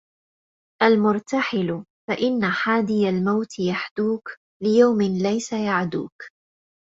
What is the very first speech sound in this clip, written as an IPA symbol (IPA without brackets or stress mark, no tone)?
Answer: ʔ